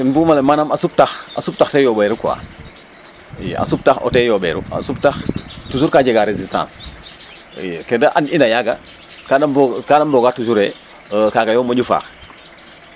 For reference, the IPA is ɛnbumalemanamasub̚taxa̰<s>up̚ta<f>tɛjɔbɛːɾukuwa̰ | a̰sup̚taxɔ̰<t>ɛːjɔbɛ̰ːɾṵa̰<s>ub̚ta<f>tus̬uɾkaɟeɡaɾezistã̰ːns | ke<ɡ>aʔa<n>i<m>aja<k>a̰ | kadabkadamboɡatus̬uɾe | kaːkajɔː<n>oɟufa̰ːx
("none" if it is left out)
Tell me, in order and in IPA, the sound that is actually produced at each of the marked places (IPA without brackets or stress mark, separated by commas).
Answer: s, x, t, s, x, d, n, n, ɡ, m